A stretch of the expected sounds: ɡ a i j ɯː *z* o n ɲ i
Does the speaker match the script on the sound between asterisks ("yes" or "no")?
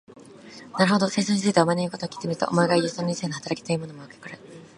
no